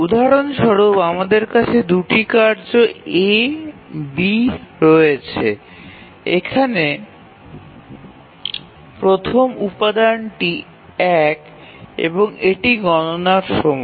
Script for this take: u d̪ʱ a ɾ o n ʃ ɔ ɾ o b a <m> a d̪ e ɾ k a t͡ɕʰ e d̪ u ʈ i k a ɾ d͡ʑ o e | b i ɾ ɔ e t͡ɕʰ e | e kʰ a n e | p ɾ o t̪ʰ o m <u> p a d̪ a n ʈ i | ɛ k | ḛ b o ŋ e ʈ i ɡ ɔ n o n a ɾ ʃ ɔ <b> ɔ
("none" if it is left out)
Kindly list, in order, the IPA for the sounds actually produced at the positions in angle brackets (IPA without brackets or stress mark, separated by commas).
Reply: m, u, m